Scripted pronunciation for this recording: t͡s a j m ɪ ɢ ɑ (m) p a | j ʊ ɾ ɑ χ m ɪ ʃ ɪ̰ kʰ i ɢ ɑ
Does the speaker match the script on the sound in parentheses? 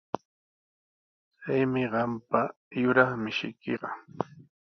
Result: yes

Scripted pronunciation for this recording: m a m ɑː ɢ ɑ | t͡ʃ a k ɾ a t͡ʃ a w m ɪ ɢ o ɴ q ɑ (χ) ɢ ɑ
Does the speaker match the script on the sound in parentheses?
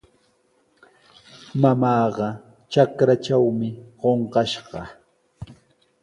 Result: no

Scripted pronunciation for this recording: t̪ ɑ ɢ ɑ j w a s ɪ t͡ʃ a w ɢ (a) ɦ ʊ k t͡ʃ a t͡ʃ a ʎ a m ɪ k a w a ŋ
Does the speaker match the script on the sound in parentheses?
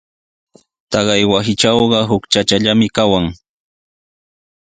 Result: no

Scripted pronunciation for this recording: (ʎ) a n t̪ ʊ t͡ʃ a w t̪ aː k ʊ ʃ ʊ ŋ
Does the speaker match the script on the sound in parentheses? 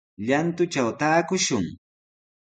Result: yes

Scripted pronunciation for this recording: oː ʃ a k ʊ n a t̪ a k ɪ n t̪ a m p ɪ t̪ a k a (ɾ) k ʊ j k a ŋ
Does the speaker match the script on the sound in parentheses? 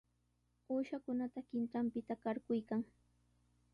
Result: yes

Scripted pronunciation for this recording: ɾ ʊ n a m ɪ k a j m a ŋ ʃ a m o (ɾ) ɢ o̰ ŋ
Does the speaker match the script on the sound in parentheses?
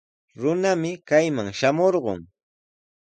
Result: yes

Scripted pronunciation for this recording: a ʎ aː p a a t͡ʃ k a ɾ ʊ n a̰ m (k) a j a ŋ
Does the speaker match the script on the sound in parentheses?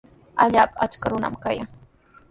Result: yes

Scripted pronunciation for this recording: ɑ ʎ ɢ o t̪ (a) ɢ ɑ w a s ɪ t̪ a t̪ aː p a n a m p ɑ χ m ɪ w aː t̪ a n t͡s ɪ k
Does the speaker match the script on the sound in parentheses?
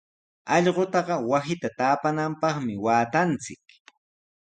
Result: no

